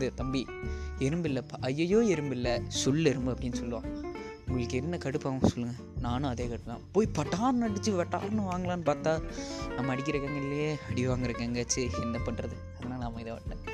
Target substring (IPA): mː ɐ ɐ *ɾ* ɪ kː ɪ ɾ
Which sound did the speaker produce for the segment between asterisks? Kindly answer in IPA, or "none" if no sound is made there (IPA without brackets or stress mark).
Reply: ɽ